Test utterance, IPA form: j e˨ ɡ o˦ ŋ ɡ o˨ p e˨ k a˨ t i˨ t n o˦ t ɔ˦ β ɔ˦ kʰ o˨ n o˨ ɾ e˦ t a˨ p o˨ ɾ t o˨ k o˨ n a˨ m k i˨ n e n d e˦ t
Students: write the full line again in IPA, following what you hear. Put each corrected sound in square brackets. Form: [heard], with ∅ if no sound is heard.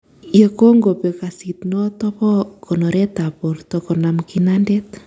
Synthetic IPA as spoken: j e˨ [k] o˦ ŋ ɡ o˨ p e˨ k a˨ [s] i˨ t n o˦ t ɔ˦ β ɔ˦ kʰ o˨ n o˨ ɾ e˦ t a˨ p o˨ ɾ t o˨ k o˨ n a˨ m k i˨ n [a] n d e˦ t